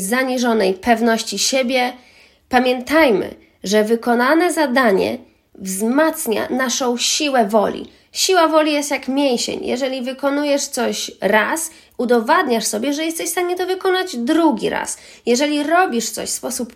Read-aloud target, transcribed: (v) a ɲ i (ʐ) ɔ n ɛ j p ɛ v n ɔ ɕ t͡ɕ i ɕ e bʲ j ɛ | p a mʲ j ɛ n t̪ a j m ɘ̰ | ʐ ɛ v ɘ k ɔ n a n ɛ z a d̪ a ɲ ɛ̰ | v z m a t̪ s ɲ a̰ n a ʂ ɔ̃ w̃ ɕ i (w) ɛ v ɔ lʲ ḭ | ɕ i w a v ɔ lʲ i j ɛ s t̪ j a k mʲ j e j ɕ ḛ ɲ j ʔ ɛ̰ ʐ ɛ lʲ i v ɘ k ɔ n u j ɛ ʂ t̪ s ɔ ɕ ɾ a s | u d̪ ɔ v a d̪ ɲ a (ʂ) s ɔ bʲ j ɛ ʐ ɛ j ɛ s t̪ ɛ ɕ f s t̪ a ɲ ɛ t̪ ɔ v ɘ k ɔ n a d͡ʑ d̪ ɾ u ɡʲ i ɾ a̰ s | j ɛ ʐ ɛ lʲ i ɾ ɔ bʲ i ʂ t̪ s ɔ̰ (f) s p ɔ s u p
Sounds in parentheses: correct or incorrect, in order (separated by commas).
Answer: incorrect, correct, correct, correct, incorrect